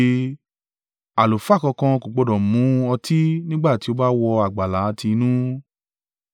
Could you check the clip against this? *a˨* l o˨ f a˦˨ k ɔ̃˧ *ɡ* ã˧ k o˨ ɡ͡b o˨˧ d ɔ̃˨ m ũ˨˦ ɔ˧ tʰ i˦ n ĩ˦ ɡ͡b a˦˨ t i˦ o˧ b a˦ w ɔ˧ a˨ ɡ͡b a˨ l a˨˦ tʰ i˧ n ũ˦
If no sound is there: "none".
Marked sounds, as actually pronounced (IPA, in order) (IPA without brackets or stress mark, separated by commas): a˨, k